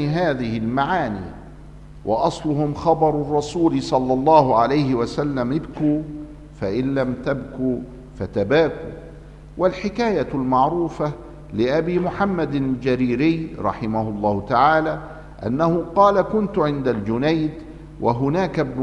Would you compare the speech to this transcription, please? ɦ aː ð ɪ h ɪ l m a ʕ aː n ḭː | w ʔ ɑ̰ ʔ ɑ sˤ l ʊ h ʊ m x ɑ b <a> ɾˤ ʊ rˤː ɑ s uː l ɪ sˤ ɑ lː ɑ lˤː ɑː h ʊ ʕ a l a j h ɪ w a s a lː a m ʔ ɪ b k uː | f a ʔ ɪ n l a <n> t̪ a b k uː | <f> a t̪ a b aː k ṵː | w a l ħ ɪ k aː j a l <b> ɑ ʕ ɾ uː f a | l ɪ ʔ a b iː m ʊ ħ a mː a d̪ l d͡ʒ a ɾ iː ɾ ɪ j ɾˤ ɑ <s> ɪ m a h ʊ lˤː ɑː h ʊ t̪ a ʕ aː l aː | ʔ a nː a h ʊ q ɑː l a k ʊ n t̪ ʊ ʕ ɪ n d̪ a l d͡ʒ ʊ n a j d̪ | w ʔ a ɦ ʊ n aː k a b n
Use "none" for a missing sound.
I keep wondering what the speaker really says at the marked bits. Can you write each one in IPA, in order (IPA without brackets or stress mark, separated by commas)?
ɑ, m, f, m, ħ